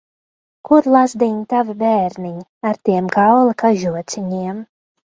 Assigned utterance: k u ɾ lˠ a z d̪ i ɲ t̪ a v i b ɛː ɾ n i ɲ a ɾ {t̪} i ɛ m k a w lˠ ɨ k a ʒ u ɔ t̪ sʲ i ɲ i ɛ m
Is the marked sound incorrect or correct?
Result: correct